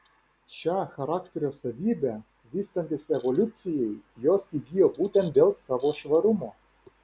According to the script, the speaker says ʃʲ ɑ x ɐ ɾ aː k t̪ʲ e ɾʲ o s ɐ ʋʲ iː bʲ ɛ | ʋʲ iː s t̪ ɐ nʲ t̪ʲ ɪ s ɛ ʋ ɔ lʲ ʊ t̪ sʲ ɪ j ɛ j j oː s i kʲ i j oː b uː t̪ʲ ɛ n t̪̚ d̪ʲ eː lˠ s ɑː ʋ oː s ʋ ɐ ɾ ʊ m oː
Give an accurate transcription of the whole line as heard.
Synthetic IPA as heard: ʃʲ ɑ x ɐ ɾ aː k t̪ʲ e ɾʲ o s ɐ ʋʲ iː bʲ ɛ | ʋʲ iː s t̪ ɐ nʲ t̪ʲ ɪ s ɛ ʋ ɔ lʲ ʊ t̪ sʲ ɪ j ɛ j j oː s i ɡʲ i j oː b uː t̪ʲ ɛ n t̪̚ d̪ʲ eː lˠ s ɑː ʋ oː ʃ ʋ ɐ ɾ ʊ m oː